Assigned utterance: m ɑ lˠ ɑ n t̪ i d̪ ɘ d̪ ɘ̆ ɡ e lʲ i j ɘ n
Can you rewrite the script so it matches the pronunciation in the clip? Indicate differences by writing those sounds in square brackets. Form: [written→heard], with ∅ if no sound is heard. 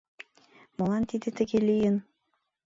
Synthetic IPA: m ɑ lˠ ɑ n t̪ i d̪ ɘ [d̪→t̪] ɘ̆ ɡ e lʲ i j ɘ n